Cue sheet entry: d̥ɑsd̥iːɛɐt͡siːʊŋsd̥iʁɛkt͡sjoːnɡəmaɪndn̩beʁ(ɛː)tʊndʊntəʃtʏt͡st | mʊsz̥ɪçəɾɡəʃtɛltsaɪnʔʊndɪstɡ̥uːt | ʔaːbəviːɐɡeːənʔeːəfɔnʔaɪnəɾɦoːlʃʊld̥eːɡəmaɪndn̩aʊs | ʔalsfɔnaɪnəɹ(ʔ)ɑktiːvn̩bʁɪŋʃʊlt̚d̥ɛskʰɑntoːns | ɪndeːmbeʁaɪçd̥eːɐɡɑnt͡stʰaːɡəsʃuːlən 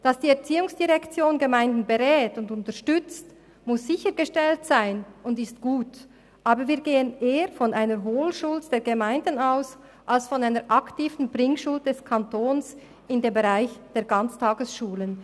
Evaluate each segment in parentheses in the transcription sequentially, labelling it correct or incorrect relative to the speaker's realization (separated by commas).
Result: correct, correct